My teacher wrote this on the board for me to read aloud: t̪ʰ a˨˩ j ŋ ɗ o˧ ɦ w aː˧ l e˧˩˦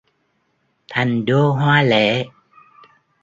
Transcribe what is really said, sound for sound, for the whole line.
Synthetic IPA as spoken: t̪ʰ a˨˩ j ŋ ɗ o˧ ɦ w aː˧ l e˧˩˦